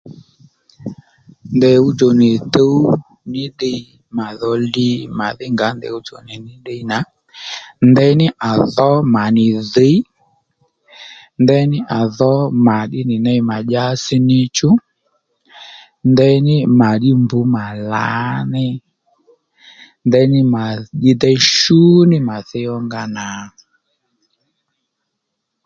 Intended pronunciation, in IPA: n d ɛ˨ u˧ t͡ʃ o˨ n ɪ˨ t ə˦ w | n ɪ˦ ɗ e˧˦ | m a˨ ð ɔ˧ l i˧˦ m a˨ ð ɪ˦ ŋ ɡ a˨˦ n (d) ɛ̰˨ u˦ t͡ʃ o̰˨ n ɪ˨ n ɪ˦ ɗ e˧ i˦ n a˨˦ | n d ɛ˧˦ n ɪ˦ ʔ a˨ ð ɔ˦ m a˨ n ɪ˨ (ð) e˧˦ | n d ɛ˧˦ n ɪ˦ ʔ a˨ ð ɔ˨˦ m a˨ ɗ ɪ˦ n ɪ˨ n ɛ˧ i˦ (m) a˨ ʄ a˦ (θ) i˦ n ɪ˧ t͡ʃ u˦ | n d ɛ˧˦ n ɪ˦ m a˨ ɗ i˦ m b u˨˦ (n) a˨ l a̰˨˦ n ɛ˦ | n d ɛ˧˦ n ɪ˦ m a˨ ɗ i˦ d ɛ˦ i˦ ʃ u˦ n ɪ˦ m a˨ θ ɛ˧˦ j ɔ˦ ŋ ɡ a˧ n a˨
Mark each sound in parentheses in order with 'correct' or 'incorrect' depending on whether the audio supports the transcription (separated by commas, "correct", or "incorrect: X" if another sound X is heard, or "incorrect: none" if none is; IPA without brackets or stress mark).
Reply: correct, correct, correct, incorrect: s, incorrect: m